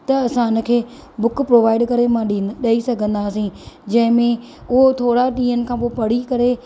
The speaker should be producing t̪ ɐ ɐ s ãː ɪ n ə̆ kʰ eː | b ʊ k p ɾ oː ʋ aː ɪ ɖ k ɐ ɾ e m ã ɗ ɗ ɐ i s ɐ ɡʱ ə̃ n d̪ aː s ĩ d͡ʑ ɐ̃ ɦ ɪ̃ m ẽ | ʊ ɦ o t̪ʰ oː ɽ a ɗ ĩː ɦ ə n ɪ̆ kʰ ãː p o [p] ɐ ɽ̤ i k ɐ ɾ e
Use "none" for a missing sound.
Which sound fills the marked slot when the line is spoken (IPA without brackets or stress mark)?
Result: p